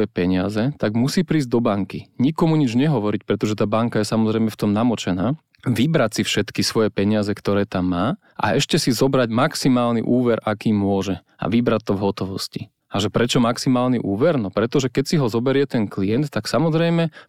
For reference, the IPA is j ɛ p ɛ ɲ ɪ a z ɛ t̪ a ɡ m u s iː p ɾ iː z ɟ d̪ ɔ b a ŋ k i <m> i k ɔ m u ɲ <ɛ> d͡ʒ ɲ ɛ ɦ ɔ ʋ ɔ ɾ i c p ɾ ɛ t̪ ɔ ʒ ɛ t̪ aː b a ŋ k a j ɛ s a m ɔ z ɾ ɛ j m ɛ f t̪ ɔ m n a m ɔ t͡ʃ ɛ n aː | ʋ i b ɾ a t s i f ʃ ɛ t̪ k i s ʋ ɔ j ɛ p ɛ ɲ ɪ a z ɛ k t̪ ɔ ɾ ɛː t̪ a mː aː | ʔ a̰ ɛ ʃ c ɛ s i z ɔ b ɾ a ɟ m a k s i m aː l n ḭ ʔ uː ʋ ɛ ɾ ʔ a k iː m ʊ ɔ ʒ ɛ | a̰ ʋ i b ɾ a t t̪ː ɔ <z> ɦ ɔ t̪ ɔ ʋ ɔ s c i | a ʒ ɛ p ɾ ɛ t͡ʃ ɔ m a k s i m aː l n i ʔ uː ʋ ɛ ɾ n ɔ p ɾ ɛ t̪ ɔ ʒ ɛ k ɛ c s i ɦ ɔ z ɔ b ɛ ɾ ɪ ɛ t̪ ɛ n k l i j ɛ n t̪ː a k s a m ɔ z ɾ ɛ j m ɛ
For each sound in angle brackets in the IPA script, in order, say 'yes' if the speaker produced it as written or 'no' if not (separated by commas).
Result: no, no, no